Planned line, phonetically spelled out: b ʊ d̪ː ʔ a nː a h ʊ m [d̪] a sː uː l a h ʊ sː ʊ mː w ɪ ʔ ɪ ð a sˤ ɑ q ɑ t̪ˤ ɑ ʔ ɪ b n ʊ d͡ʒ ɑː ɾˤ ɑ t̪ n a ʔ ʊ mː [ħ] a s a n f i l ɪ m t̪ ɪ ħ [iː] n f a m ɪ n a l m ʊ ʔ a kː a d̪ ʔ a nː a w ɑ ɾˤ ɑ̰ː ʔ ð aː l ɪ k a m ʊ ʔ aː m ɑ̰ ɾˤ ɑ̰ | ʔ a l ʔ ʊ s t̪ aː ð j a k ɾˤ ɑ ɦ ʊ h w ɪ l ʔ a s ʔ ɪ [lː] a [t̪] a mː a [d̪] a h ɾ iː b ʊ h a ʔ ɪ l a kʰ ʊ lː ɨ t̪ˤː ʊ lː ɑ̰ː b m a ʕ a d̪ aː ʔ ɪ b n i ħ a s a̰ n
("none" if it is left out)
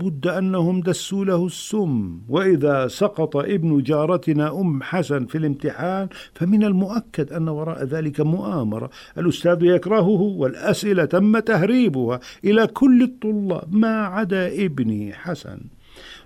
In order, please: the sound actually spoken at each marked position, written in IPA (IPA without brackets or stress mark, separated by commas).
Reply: d̪, ħ, aː, l, t̪, t̪